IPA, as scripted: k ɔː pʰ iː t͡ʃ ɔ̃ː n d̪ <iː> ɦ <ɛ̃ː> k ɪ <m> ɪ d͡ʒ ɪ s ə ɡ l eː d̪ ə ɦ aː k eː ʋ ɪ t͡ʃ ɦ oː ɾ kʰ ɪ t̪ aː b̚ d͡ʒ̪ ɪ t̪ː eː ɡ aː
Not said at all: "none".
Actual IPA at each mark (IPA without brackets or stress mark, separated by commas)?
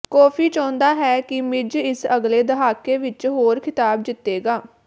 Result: aː, ɛː, m